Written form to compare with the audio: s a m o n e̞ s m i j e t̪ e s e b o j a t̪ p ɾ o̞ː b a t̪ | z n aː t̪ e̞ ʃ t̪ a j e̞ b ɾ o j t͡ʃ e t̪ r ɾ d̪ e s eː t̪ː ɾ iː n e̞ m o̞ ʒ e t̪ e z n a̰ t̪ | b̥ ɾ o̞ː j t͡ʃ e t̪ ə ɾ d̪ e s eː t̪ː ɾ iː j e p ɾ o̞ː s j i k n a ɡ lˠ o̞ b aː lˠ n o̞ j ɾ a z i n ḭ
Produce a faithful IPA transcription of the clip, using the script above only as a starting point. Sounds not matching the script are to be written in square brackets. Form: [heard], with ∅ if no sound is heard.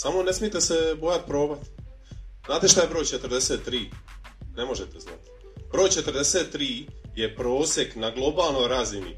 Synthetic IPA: s a m o n e̞ s m i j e t̪ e s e b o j a t̪ p ɾ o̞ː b a t̪ | z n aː t̪ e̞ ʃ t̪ a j e̞ b ɾ o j t͡ʃ e t̪ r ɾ d̪ e s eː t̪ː ɾ iː n e̞ m o̞ ʒ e t̪ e z n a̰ t̪ | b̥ ɾ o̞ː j t͡ʃ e t̪ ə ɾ d̪ e s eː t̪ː ɾ iː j e p ɾ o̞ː s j [e] k n a ɡ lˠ o̞ b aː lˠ n o̞ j ɾ a z i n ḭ